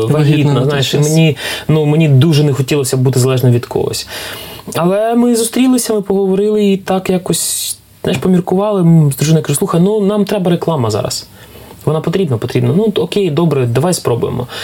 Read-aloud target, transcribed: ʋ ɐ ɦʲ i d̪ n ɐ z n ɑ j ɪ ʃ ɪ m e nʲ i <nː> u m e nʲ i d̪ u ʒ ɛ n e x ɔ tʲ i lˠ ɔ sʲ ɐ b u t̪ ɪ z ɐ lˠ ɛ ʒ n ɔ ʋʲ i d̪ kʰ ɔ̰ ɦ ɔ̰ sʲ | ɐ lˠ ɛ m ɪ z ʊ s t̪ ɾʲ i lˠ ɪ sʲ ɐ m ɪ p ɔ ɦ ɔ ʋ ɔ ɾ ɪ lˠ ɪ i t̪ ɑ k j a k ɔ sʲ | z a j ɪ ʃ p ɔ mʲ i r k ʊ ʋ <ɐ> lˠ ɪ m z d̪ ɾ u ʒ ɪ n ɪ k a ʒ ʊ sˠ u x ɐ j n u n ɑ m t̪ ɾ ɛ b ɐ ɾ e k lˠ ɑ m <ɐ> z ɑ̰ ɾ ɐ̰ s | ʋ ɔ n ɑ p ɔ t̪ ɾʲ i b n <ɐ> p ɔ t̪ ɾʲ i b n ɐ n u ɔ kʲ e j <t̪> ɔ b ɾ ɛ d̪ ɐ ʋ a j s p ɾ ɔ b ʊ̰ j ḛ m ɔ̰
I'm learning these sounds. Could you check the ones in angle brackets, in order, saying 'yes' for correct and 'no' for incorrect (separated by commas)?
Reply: no, no, yes, yes, no